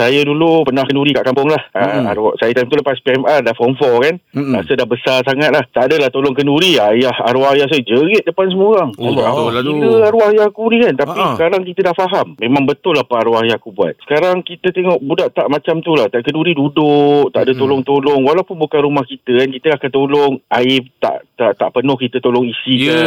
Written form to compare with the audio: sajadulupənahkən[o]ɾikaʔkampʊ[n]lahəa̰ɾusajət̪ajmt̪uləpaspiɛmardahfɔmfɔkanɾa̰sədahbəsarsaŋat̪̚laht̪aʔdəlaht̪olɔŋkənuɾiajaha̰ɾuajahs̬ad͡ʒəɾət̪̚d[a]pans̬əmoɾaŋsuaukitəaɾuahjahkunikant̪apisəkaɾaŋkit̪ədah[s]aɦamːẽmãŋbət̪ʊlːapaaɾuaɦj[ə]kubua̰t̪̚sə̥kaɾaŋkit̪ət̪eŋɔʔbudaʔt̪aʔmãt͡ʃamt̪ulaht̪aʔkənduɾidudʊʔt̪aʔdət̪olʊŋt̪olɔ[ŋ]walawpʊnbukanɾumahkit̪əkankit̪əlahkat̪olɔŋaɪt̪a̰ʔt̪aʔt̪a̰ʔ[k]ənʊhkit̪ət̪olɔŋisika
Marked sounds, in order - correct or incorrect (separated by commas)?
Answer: incorrect, incorrect, incorrect, incorrect, incorrect, correct, incorrect